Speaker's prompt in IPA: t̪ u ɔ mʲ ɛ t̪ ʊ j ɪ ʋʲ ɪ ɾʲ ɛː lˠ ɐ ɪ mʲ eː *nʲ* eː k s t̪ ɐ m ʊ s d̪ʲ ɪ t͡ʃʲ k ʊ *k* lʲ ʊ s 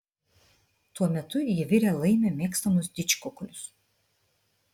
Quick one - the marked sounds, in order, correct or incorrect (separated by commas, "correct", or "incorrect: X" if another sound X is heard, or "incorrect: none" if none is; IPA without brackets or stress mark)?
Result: incorrect: mʲ, correct